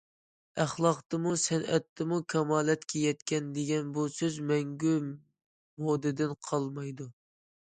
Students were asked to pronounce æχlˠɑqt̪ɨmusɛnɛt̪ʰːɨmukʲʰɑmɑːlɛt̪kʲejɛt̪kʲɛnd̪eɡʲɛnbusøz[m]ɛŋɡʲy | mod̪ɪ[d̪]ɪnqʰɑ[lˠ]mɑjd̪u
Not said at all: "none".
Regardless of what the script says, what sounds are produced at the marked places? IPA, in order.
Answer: m, d̪, lˠ

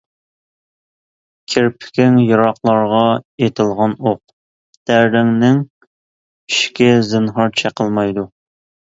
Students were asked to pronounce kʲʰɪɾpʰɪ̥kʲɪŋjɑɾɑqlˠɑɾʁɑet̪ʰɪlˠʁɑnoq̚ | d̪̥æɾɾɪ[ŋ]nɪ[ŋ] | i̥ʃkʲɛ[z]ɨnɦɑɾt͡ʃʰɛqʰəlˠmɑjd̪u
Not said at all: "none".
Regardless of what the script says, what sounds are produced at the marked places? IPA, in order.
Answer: ŋ, ŋ, z

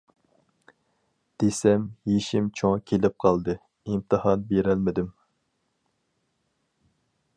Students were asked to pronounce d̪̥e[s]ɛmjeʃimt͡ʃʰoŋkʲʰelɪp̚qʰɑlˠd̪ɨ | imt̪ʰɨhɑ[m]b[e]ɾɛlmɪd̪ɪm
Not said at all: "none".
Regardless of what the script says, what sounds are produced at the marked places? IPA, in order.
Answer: s, n, e

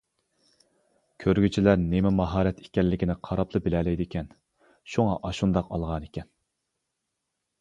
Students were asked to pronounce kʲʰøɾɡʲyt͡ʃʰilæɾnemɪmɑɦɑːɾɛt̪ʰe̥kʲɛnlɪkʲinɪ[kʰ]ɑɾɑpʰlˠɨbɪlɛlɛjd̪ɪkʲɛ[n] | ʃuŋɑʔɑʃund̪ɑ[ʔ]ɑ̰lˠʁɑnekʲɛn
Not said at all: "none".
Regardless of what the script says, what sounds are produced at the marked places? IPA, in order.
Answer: qʰ, n, q

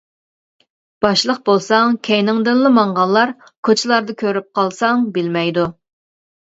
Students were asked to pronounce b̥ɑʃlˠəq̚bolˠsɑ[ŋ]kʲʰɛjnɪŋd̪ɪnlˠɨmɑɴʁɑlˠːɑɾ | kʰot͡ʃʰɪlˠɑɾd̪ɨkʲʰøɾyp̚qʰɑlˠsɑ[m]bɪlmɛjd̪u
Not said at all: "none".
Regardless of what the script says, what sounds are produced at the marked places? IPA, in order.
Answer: ŋ, ŋ

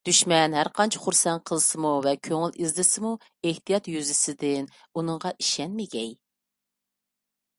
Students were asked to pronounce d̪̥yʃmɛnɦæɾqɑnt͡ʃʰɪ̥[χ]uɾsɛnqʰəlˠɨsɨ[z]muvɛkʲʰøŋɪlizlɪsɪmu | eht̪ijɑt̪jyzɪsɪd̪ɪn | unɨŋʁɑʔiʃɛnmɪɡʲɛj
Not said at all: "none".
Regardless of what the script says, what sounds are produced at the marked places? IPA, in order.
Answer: χ, none

